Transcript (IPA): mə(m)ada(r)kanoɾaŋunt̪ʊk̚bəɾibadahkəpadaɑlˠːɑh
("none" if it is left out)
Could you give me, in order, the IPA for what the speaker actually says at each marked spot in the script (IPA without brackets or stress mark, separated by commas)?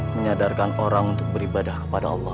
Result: ɲ, r